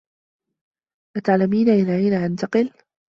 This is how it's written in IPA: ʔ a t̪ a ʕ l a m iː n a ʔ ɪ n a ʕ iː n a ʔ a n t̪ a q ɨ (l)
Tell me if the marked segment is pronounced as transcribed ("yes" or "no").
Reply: yes